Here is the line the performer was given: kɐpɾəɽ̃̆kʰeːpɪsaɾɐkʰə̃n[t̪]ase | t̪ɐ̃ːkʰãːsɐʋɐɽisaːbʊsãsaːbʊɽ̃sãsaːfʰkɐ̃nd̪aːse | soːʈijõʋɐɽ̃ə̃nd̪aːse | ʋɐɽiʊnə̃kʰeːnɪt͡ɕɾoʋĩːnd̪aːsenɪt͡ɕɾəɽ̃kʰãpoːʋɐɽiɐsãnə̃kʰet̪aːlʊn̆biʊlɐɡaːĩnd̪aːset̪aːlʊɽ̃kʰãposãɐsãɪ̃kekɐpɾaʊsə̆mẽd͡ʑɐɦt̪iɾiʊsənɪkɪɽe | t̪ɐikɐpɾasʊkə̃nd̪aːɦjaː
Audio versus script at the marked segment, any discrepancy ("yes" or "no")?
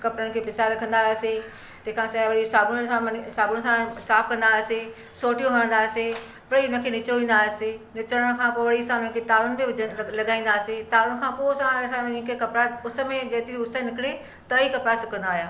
yes